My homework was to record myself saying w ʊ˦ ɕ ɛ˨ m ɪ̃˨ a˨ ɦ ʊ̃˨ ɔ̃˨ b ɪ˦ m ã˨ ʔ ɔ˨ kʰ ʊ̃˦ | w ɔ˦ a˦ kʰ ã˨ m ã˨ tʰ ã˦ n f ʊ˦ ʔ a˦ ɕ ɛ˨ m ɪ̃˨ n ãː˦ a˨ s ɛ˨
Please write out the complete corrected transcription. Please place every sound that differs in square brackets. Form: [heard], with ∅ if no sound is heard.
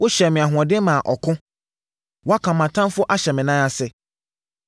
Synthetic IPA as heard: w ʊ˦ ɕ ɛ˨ m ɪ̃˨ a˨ ɦ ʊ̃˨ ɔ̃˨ [d] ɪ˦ m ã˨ ʔ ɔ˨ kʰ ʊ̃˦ | w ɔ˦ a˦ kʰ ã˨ m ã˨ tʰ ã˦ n f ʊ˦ ʔ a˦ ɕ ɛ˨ m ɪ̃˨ n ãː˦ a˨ s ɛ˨